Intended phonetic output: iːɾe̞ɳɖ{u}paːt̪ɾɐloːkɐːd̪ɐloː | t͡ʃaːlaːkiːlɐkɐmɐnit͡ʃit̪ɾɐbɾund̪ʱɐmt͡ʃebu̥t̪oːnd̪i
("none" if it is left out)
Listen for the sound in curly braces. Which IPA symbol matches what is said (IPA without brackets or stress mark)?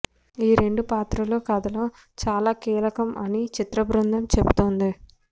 u